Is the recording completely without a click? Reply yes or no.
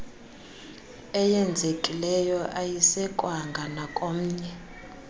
yes